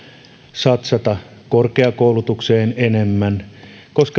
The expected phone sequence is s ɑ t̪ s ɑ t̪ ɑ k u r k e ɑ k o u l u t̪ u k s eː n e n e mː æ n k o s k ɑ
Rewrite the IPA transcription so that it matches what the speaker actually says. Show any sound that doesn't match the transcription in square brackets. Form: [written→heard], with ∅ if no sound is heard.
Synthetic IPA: s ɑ t̪ s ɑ t̪ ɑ k [u→o] r k e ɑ k o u l u t̪ u k s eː n e n e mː æ n k o s k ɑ